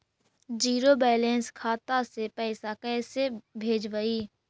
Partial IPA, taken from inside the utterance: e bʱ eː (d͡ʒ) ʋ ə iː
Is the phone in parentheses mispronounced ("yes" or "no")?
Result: no